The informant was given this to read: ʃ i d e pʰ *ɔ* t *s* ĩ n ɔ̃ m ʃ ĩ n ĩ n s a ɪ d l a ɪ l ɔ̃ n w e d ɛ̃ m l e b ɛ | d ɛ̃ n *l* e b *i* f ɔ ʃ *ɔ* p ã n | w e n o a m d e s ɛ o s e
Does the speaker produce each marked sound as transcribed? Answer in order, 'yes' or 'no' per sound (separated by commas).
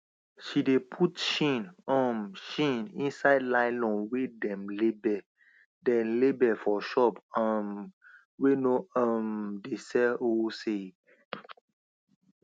no, no, yes, no, yes